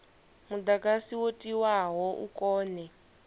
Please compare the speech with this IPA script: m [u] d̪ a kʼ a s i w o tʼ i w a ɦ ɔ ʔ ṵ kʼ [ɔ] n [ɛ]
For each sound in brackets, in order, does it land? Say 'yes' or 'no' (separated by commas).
yes, no, yes